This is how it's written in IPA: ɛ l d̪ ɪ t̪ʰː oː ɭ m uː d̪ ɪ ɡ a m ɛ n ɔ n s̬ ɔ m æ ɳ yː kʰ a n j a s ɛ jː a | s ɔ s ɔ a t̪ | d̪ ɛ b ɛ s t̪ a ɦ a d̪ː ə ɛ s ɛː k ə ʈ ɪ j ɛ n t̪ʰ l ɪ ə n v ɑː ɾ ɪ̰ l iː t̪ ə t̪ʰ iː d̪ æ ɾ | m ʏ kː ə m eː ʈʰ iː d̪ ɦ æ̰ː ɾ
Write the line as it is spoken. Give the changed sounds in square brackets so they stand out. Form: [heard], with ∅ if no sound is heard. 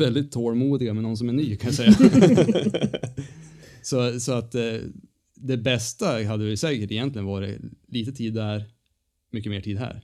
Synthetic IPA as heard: ɛ l d̪ ɪ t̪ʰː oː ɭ m uː d̪ ɪ ɡ a m ɛ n ɔ n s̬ ɔ m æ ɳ yː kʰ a n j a s ɛ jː a | s ɔ s ɔ a t̪ | d̪ ɛ b ɛ s t̪ a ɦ a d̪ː ə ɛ s ɛː k ə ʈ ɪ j ɛ n [t̪] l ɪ ə n v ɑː ɾ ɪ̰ l iː t̪ ə t̪ʰ iː d̪ æ ɾ | m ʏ kː ə m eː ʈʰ iː d̪ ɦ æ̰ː ɾ